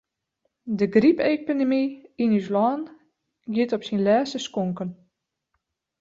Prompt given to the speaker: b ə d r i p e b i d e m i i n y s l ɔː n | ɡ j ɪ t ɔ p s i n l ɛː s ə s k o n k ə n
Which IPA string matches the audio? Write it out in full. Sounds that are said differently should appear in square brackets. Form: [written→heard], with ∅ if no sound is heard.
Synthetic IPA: [b→d] ə [d→ɡ] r i p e [b→p] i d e m i i n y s l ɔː n | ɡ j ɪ t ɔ p s i n l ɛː s ə s k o [n→ŋ] k ə n

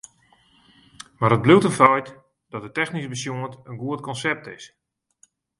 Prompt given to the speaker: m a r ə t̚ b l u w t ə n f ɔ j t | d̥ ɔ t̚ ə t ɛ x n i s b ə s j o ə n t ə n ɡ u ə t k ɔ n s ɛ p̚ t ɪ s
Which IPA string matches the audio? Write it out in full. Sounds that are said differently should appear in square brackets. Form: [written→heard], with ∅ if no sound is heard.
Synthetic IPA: m a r ə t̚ b l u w t ə n f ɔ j t | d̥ ɔ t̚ ə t ɛ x n i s b ə s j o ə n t ə n ɡ u ə t k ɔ n s ɛ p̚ t ɪ s

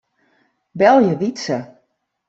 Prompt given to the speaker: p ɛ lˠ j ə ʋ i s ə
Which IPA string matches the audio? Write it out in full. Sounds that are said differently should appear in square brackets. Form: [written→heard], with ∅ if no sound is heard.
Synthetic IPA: [p→b] ɛ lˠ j ə ʋ i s ə

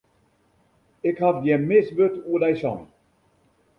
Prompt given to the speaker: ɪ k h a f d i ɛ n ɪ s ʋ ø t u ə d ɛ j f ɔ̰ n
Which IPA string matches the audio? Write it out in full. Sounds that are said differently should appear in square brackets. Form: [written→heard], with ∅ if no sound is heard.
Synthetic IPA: ɪ k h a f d [i→j] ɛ [n→m] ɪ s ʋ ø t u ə d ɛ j [f→s] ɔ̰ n

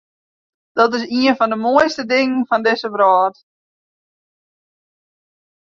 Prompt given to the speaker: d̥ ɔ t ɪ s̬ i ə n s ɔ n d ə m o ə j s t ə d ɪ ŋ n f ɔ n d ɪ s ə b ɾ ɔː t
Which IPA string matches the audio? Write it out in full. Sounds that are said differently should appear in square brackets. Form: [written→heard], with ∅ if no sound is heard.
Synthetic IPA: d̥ ɔ t ɪ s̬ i ə n [s→f] ɔ n d ə m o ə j s t ə d ɪ ŋ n f ɔ n d ɪ s ə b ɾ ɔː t

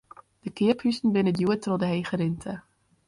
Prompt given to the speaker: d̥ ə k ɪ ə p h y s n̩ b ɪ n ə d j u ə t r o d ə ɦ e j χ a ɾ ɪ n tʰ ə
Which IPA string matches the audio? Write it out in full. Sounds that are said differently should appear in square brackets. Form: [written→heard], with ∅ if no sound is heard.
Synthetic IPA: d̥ ə k ɪ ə p h y s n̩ b ɪ n ə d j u ə t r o d ə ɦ e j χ [a→ə] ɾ ɪ n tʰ ə

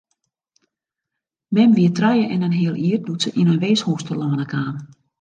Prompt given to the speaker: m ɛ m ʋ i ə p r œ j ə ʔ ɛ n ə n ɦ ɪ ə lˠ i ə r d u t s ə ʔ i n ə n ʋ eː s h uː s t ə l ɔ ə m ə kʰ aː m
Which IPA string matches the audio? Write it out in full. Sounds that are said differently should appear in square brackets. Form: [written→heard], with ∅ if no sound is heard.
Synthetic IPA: m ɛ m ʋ i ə [p→t] r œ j ə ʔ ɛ n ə n ɦ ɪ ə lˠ i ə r d u t s ə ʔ i n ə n ʋ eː s h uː s t ə l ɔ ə [m→n] ə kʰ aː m

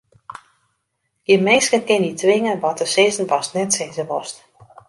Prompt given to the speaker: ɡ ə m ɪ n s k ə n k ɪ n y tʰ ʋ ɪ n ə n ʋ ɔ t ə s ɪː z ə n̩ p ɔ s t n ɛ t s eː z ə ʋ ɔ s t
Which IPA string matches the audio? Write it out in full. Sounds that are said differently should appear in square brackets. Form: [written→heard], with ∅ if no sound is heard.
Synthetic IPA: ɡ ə m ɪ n s k ə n k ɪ n [y→i] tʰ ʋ ɪ [n→ŋ] ə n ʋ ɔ t ə s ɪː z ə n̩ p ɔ s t n ɛ t s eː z ə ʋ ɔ s t

